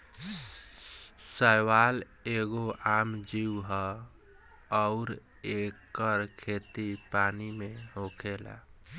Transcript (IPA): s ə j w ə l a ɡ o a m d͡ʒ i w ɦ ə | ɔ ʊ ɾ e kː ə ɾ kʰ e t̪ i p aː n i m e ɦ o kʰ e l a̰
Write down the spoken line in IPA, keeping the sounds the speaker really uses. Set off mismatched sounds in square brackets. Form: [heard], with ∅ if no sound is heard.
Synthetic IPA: s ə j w [a] l [e] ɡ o a m d͡ʒ i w ɦ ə | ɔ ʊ ɾ e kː ə ɾ kʰ e t̪ i p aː n i m e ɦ o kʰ e l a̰